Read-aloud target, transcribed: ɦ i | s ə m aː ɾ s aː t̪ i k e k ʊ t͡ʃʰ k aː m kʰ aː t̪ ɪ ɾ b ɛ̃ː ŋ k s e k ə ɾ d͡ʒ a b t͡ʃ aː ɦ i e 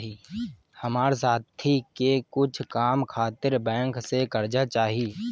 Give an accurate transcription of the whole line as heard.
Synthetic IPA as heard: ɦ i | h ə m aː ɾ s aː t̪ʰ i k e k ʊ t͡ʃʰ k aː m kʰ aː t̪ ɪ ɾ b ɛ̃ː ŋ k s e k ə ɾ d͡ʒ a t͡ʃ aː ɦ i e

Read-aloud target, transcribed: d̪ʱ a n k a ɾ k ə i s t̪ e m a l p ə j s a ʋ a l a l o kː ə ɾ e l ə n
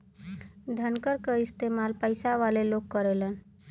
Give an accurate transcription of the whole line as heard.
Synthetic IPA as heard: d̪ʱ ə n k ə ɾ k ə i s t̪ e m a l p ə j s a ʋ a l e l o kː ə ɾ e l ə n

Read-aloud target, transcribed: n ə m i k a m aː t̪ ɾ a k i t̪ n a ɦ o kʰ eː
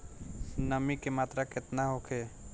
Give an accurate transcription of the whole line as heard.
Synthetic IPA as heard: n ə m i k e m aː t̪ ɾ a k ɪ t̪ n a ɦ o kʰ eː

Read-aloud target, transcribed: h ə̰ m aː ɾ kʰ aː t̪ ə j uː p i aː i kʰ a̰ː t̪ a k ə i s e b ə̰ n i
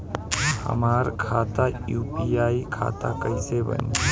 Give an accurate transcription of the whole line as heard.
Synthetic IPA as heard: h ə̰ m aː ɾ kʰ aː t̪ a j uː p i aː i kʰ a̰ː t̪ a k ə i s e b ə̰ n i

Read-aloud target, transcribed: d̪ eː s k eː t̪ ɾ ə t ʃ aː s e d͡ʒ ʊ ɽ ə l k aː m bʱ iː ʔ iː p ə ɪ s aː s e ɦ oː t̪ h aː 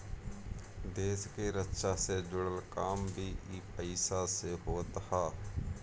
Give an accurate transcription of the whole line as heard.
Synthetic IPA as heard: d̪ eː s k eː ɾ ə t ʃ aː s e d͡ʒ ʊ ɽ ə l k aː m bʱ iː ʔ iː p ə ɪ s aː s e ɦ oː t̪ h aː

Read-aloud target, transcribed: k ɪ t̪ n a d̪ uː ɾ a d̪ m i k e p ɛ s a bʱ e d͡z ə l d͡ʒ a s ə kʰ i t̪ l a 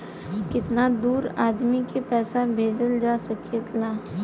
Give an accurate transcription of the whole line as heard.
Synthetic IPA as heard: k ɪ t̪ n a d̪ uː ɾ a d̪ m i k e p ɛ s a bʱ e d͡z ə l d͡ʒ a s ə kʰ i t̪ l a

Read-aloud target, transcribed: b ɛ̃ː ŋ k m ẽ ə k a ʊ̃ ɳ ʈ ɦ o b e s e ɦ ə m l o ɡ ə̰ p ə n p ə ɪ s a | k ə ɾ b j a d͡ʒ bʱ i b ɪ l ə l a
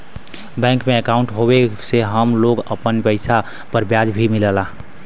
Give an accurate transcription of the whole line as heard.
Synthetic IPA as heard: b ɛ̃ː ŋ k m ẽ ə k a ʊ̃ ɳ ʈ ɦ o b e s e ɦ ə m l o ɡ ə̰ p ə n p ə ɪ s a | p ə ɾ b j a d͡ʒ bʱ i m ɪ l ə l a

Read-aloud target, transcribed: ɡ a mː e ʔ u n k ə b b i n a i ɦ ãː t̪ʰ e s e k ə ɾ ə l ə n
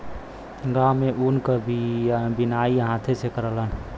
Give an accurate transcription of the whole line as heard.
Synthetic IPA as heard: ɡ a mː e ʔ u n k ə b b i n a i ɦ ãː t̪ʰ e s e k ə ɾ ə l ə n

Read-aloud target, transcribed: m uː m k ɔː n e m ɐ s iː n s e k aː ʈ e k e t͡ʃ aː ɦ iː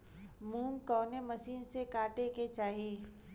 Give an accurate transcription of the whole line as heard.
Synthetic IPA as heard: m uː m k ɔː n e m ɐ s iː n s e k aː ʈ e k e t͡ʃ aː ɦ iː

